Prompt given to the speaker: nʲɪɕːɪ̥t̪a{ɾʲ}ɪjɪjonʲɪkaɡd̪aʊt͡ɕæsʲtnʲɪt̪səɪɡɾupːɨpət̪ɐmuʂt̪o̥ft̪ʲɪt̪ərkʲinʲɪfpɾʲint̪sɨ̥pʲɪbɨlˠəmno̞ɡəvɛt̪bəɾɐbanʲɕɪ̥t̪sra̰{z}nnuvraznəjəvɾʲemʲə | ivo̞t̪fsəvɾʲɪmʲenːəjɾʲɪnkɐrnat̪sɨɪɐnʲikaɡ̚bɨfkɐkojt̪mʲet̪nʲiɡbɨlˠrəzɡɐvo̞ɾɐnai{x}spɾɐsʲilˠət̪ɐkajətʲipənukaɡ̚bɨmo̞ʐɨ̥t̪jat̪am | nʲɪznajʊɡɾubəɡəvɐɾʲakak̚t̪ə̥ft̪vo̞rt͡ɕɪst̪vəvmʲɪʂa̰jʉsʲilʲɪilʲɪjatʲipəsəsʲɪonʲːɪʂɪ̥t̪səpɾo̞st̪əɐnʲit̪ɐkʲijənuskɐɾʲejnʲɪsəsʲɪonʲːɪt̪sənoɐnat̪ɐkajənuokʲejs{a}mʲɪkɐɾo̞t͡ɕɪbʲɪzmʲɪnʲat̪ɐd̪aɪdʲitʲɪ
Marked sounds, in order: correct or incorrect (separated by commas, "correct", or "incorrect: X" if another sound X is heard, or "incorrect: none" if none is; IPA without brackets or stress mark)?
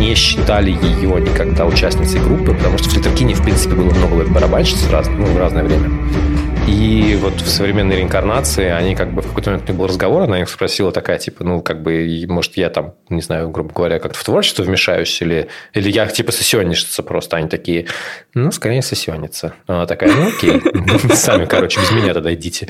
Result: incorrect: lʲ, correct, correct, correct